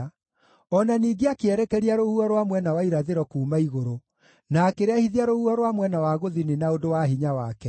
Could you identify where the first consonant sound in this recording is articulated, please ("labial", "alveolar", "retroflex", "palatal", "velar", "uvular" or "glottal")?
alveolar